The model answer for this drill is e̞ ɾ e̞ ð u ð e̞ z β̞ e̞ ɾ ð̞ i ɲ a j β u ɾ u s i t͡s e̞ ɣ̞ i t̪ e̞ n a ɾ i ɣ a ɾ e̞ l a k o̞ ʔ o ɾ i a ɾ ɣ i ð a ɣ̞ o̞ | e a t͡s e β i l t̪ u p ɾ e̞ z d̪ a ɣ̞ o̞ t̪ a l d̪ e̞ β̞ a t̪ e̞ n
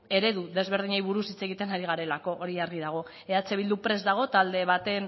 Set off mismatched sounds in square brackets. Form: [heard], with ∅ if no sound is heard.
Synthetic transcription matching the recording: e̞ ɾ e̞ ð u ð e̞ z β̞ e̞ ɾ ð̞ i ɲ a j β u ɾ u s i t͡s e̞ ɣ̞ i t̪ e̞ n a ɾ i ɣ a ɾ e̞ l a k o̞ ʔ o ɾ i a ɾ ɣ i ð a ɣ̞ o̞ | e a t͡s e β i l [d̪] u p ɾ e̞ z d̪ a ɣ̞ o̞ t̪ a l d̪ e̞ β̞ a t̪ e̞ n